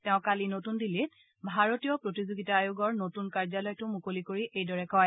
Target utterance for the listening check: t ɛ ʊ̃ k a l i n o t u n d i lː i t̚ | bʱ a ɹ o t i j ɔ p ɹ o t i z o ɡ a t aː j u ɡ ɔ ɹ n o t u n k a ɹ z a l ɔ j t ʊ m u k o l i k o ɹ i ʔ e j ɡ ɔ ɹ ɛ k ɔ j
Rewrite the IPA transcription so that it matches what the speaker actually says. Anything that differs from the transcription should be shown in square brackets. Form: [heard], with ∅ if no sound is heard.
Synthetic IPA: t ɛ ʊ̃ k a l i n o t u n d i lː i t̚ | bʱ a ɹ o t i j ɔ p ɹ o t i z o ɡ [i] t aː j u ɡ ɔ ɹ n o t u n k a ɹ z a l ɔ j t ʊ m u k o l i k o ɹ i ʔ e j [d] ɔ ɹ ɛ k ɔ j